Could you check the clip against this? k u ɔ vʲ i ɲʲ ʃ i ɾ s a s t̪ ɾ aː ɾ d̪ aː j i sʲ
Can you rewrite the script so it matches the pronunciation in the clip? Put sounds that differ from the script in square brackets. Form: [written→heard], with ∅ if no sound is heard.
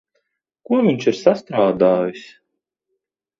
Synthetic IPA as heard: k u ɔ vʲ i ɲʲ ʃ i ɾ s a s t̪ ɾ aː [ɾ→∅] d̪ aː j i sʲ